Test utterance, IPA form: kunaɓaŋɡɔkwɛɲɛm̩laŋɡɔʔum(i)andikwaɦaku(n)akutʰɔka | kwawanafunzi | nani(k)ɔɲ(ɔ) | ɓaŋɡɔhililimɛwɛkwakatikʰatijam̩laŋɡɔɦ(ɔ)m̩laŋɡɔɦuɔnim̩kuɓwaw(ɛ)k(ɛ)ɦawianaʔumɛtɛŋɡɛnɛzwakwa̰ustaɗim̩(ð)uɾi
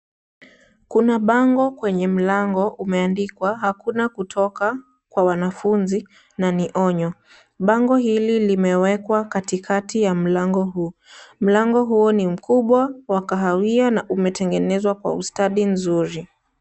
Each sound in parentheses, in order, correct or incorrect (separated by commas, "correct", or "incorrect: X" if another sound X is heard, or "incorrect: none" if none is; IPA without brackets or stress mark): incorrect: ɛ, correct, incorrect: ʔ, correct, incorrect: u, incorrect: a, incorrect: a, incorrect: z